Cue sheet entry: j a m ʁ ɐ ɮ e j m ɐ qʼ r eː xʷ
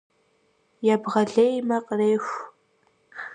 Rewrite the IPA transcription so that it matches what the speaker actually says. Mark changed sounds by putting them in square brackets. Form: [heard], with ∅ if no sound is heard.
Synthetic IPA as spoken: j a [b] ʁ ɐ ɮ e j m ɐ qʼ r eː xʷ